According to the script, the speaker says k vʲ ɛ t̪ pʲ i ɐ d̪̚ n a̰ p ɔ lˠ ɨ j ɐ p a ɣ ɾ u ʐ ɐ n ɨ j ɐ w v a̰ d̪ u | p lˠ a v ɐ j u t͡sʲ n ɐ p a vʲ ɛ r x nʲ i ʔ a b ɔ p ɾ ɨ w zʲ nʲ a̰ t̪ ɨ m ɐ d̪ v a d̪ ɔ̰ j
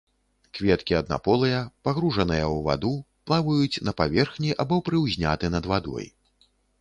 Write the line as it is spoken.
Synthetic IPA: k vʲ ɛ t̪ kʲ i ɐ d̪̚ n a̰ p ɔ lˠ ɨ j ɐ p a ɣ ɾ u ʐ ɐ n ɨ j ɐ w v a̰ d̪ u | p lˠ a v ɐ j u t͡sʲ n ɐ p a vʲ ɛ r x nʲ i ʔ a b ɔ p ɾ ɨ w zʲ nʲ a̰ t̪ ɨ n ɐ d̪ v a d̪ ɔ̰ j